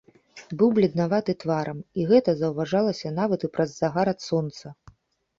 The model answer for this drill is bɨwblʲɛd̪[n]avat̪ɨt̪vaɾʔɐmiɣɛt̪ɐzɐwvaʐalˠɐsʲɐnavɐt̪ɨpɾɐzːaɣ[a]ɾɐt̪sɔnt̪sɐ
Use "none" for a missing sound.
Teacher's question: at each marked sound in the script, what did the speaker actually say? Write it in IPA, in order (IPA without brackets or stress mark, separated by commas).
n, a